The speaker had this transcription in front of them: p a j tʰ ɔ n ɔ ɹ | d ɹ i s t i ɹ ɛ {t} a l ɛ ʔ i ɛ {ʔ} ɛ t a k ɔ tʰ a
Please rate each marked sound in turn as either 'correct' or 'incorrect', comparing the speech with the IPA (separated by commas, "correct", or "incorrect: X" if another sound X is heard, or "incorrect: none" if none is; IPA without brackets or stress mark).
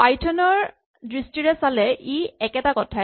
incorrect: s, incorrect: k